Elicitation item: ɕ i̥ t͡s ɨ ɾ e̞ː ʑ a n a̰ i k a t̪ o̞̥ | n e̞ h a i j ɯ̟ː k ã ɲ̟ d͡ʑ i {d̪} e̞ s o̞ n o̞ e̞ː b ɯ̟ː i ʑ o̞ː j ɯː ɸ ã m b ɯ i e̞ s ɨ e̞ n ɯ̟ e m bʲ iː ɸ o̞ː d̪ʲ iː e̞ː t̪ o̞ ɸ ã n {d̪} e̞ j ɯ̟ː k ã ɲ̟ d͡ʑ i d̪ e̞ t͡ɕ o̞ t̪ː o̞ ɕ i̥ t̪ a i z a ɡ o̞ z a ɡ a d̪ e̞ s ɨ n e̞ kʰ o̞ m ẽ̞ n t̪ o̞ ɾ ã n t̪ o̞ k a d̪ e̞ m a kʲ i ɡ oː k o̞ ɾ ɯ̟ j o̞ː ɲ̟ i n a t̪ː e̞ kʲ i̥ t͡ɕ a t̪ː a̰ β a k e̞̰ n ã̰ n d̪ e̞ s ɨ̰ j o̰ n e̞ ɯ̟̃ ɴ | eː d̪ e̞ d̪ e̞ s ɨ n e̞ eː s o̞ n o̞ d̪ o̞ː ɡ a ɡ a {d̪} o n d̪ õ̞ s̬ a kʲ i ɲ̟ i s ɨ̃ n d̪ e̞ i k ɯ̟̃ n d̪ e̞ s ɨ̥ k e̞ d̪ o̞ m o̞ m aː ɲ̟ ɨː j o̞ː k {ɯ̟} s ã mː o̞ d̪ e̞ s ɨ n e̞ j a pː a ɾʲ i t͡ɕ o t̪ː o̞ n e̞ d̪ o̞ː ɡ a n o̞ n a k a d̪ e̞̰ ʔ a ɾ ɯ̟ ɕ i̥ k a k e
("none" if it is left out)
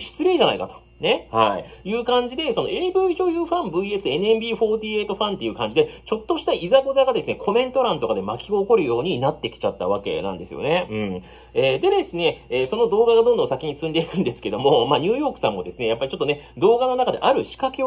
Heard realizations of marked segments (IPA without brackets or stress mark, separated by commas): d̪, t̪, d̪, ɯ̟